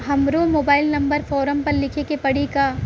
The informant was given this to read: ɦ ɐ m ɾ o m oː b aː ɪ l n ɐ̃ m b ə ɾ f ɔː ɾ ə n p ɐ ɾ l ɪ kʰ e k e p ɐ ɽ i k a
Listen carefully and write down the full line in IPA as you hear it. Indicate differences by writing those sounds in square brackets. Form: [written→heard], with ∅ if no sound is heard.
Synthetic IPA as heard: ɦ ɐ m ɾ o m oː b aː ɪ l n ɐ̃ m b ə ɾ f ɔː ɾ ə [n→m] p ɐ ɾ l ɪ kʰ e k e p ɐ ɽ i k a